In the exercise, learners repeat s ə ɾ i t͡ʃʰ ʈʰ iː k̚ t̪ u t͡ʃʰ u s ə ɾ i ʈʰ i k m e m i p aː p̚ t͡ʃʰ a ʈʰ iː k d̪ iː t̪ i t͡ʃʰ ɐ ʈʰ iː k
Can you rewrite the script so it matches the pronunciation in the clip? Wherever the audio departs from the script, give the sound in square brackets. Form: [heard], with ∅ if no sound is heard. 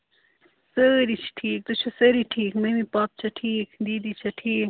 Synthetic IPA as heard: s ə ɾ i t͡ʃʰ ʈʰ iː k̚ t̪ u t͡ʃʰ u s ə ɾ i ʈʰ [iː] k m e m i p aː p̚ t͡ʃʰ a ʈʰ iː k d̪ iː [d̪] i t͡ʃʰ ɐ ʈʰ iː k

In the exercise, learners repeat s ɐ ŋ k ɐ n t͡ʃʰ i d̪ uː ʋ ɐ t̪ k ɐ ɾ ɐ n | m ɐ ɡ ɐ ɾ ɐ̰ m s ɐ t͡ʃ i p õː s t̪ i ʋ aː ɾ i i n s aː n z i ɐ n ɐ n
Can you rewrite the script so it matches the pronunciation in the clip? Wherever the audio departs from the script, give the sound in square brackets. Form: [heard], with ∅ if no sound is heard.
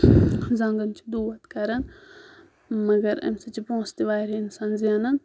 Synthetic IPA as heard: [z] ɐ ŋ [ɡ] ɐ n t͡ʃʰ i d̪ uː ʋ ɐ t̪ k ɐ ɾ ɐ n | m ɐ ɡ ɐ ɾ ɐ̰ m s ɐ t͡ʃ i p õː s t̪ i ʋ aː ɾ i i n s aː n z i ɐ n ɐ n

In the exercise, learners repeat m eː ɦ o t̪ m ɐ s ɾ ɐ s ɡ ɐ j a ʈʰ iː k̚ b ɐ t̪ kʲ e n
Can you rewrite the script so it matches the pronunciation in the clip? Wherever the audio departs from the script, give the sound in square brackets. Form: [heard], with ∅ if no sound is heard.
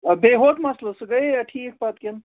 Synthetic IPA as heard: [b] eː ɦ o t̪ m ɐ s [l] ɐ s ɡ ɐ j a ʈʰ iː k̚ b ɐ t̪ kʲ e n

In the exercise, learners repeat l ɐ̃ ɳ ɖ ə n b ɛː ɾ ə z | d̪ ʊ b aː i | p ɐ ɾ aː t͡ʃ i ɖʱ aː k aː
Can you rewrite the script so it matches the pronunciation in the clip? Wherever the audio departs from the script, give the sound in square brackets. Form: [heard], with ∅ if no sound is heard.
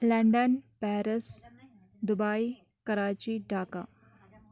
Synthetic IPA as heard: l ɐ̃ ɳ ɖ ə n [p] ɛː ɾ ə [s] | d̪ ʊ b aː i | [k] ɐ ɾ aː t͡ʃ i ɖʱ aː k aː

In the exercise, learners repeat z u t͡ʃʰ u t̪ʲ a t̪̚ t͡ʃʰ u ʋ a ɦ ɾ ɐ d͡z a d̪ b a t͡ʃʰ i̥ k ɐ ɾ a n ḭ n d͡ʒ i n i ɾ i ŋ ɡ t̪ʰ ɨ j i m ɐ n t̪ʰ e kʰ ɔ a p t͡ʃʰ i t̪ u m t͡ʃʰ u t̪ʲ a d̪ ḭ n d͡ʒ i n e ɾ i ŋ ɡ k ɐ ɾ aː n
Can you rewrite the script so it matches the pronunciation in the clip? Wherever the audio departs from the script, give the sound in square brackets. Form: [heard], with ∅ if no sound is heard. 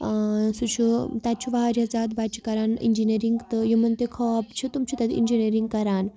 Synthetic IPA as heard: [s] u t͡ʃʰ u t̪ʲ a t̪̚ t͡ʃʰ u ʋ a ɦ ɾ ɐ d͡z a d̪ b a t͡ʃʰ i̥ k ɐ ɾ a n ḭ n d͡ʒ i n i ɾ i ŋ ɡ [t̪] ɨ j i m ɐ n [t̪] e kʰ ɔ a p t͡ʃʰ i t̪ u m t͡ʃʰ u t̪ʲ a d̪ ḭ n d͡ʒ i n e ɾ i ŋ ɡ k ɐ ɾ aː n

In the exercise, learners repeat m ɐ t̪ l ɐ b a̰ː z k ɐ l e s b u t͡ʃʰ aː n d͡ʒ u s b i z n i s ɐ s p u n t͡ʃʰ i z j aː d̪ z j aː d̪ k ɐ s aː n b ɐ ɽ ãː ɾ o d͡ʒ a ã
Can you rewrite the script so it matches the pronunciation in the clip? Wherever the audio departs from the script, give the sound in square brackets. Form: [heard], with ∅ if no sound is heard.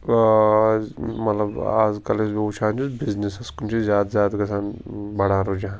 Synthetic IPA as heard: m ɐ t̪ l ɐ b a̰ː z k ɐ l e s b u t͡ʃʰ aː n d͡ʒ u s b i z n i s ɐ s [k] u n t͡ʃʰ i z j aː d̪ z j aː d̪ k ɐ s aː n b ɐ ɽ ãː ɾ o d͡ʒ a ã

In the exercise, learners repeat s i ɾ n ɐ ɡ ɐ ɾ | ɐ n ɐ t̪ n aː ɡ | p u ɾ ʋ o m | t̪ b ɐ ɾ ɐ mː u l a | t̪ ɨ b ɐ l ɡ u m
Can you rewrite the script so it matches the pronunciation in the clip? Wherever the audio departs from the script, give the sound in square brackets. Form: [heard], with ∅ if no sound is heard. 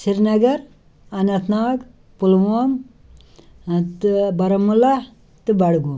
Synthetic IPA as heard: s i ɾ n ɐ ɡ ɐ ɾ | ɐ n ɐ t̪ n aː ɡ | p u [l] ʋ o m | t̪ b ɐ ɾ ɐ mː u l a | t̪ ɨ b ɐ [ɽ] ɡ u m

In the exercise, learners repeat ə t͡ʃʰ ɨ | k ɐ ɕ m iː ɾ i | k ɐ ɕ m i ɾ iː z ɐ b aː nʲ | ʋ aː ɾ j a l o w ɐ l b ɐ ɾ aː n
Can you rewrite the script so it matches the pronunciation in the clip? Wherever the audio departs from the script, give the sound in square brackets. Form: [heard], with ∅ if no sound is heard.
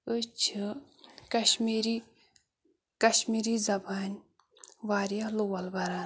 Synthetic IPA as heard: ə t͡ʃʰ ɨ | k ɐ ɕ m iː ɾ i | k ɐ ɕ m i ɾ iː z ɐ b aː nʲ | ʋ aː ɾ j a l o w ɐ l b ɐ ɾ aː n

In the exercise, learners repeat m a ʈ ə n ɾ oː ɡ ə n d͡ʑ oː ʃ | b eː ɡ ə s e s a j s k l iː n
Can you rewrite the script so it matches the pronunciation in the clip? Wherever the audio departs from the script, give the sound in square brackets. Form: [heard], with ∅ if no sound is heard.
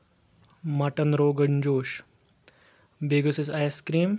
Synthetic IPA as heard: m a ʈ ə n ɾ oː ɡ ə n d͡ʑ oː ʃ | b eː ɡ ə s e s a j s k [ɾ] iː [m]

